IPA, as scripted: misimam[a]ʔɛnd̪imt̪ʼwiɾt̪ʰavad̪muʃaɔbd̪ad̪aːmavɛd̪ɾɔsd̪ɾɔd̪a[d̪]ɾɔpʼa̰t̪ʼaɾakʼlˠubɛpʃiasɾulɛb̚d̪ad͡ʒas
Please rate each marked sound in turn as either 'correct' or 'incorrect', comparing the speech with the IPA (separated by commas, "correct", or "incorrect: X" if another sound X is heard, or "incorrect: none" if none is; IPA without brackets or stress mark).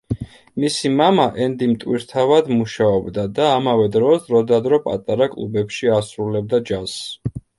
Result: correct, correct